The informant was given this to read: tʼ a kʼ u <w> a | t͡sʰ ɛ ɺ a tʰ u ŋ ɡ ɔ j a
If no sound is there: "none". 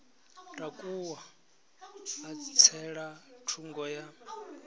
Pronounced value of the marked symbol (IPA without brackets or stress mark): w